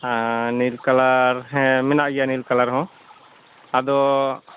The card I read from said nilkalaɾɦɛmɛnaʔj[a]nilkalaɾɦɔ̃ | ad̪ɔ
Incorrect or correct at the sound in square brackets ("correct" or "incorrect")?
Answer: correct